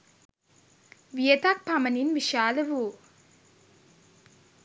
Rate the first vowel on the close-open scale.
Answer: close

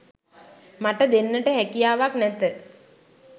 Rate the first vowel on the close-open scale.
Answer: open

